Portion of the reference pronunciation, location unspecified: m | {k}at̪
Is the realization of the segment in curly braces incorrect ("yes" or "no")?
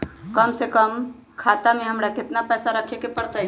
yes